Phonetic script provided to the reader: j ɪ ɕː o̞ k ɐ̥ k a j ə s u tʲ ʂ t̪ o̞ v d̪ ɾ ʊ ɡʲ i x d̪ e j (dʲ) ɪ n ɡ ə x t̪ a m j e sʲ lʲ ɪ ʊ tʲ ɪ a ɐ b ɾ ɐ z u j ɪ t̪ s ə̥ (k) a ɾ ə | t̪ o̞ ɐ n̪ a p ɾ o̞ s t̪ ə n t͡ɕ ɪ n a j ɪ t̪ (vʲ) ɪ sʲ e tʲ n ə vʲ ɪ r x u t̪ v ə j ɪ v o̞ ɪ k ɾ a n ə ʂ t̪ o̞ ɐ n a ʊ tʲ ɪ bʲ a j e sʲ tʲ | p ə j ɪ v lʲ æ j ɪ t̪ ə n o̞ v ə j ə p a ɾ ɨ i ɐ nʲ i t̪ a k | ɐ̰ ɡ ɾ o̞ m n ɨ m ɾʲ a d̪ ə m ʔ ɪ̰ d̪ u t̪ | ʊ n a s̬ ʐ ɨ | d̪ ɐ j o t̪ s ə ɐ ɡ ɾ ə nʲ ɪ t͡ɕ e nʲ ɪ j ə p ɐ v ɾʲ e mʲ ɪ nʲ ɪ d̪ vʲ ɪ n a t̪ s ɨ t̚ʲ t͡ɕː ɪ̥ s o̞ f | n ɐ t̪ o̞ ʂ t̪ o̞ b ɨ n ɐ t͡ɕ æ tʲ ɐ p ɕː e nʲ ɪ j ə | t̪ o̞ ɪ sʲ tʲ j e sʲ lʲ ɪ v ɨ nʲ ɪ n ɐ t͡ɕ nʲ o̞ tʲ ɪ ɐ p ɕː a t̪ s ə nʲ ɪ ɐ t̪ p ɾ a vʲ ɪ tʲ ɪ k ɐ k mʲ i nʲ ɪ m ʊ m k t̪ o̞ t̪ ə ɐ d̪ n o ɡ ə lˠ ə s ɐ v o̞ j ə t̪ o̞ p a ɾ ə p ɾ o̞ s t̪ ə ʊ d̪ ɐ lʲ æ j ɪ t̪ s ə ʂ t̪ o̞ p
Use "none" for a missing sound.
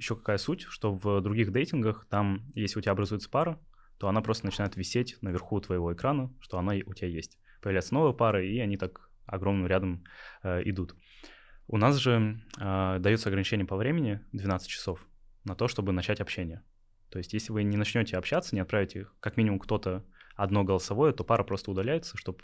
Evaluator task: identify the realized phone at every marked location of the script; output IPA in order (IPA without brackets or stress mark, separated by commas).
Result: tʲ, p, vʲ